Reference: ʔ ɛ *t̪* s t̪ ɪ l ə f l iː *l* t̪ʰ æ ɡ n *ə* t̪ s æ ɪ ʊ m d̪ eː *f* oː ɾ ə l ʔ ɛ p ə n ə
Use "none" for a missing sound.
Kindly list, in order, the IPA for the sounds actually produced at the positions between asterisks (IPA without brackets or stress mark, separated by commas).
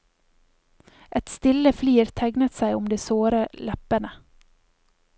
t̪, ɾ, ə, s